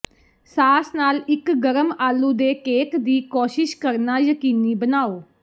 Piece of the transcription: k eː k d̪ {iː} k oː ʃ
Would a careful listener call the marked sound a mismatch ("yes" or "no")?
no